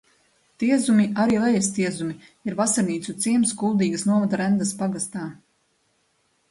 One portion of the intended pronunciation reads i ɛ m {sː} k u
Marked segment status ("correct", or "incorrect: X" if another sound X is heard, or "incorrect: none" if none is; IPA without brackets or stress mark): incorrect: s